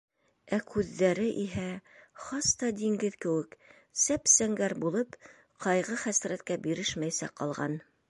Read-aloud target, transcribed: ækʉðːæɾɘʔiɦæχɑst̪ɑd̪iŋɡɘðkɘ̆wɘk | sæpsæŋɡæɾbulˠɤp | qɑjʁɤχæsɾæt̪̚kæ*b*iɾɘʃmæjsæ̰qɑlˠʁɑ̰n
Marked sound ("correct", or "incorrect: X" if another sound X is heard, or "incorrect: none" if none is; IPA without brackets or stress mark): correct